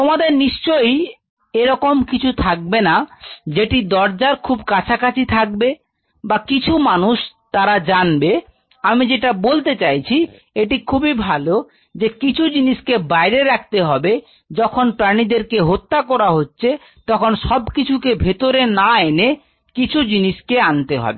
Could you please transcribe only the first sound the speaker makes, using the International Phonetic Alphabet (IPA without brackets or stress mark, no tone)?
t̪